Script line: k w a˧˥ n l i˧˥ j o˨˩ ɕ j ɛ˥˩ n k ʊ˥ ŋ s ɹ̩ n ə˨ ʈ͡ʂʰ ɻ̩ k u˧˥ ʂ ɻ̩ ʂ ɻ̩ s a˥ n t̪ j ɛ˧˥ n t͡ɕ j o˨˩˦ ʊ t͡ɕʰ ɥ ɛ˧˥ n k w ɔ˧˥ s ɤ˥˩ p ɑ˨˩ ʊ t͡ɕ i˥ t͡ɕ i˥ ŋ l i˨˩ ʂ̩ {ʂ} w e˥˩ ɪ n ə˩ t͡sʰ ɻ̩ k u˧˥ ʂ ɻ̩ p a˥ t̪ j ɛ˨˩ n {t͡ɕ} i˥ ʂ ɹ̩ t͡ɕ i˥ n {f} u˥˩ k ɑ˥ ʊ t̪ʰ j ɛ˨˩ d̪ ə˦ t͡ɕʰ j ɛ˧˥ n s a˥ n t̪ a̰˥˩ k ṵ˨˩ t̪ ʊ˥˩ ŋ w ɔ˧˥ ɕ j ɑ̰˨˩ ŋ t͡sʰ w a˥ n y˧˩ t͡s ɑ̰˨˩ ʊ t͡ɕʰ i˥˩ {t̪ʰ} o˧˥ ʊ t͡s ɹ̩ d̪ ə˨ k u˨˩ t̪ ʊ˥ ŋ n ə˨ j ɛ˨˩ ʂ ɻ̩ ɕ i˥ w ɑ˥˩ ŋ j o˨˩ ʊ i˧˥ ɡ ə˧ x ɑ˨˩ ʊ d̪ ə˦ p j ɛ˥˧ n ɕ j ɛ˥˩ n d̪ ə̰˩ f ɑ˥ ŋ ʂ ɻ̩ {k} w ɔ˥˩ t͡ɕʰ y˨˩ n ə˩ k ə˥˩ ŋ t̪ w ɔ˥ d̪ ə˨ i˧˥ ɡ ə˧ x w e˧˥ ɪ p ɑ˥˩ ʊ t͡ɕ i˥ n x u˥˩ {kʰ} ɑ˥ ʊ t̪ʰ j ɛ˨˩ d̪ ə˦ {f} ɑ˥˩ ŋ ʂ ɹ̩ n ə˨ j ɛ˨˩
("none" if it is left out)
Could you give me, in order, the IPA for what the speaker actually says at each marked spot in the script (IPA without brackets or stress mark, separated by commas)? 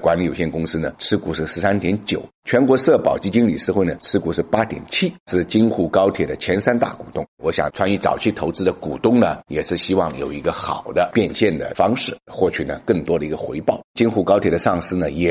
x, t͡ɕʰ, x, t̪ʰ, x, k, ʂ